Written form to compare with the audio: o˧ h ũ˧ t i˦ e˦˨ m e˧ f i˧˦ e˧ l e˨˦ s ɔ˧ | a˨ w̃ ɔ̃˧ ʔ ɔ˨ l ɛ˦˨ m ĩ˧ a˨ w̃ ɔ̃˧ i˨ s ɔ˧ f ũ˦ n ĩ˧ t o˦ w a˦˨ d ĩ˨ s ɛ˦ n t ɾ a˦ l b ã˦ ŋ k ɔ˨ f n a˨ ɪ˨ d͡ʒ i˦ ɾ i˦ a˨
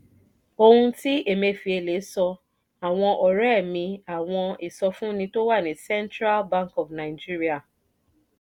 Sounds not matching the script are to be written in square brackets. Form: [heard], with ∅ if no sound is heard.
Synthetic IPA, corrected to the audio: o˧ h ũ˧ t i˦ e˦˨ m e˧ f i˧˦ e˧ l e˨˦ s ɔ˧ | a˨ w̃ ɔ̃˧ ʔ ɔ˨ [ɾ] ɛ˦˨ m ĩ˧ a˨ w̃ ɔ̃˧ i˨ s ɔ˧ f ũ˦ n ĩ˧ t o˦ w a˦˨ [n] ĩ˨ s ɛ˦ n t ɾ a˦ l b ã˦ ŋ k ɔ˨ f n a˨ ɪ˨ d͡ʒ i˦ ɾ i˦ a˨